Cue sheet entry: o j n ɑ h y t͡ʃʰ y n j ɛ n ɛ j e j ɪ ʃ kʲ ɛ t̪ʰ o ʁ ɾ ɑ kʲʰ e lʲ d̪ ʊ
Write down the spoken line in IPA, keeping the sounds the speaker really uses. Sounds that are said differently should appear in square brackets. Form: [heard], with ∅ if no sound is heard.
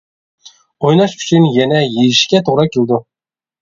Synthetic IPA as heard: o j n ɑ [ʃ] y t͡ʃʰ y n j ɛ n ɛ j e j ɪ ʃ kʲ ɛ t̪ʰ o ʁ ɾ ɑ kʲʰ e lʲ d̪ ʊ